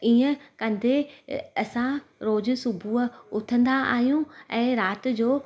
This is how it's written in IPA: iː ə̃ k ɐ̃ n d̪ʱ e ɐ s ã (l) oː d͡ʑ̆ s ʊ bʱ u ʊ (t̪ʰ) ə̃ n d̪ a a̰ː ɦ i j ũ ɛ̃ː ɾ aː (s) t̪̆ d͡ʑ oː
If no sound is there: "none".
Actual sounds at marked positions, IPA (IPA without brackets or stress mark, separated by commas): ɾ, t̪ʰ, none